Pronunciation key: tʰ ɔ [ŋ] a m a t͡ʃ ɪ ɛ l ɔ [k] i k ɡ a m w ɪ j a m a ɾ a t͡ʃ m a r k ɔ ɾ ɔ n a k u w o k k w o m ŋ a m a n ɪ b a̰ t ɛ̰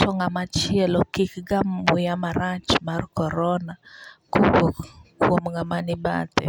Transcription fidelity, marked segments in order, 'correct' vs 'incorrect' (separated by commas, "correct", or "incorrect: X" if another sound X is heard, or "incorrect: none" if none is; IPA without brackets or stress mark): correct, correct